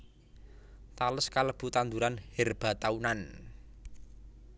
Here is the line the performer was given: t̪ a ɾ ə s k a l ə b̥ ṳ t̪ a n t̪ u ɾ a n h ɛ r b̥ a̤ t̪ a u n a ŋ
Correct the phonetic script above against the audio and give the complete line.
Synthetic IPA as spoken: t̪ a l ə s k a l ə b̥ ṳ t̪ a n d̪ u ɾ a n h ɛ r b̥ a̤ t̪ a u n a n